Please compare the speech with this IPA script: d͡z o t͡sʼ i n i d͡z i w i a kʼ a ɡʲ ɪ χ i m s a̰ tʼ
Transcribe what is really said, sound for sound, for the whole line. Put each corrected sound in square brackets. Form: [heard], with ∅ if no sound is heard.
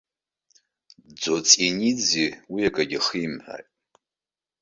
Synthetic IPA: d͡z o t͡sʼ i n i d͡z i w i a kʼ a ɡʲ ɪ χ i m [ħ] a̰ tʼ